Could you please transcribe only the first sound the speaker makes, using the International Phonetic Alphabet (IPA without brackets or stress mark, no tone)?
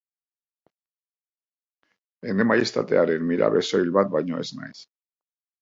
e